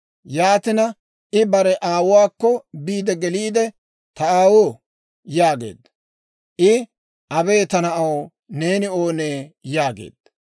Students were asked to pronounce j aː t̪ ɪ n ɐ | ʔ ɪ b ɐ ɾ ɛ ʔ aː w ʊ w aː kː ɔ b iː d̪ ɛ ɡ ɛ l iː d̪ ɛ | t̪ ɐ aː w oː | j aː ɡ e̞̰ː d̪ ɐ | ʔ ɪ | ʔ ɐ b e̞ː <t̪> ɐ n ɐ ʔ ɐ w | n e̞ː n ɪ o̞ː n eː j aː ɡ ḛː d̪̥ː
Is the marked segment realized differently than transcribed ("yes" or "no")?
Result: no